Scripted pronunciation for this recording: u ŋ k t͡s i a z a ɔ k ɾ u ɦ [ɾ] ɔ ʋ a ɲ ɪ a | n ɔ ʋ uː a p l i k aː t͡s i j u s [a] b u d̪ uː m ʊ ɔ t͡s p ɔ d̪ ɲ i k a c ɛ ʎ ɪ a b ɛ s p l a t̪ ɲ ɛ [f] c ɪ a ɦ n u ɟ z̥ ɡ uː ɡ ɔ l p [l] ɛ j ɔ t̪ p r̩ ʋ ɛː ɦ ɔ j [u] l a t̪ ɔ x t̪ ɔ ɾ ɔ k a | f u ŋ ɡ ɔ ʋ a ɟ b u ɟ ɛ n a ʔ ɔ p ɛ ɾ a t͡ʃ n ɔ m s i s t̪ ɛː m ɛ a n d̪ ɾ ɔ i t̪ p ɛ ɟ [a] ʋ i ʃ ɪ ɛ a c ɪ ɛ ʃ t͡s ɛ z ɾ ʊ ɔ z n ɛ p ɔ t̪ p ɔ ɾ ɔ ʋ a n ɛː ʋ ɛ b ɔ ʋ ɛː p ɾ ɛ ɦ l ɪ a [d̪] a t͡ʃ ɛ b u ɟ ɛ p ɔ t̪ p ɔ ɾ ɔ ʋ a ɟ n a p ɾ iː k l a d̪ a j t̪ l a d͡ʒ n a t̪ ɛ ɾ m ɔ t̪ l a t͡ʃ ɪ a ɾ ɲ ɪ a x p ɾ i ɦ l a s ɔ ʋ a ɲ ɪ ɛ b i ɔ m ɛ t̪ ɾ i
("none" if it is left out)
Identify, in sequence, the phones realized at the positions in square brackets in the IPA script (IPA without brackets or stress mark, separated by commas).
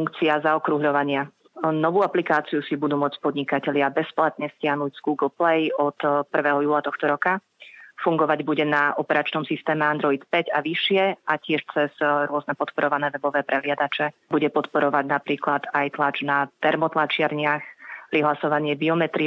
ʎ, i, s, l, uː, a, d̪